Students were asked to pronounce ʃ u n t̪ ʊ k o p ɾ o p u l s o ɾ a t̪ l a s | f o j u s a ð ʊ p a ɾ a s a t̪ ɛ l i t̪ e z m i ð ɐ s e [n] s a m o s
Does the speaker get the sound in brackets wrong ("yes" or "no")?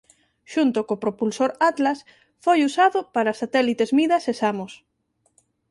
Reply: yes